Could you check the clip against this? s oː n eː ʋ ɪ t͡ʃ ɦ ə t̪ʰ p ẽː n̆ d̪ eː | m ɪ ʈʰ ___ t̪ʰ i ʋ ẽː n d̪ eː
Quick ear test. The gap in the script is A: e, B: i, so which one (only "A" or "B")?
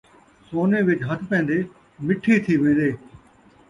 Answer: B